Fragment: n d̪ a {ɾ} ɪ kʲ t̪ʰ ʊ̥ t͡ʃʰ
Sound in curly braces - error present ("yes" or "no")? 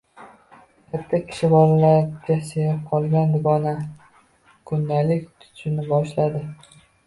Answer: yes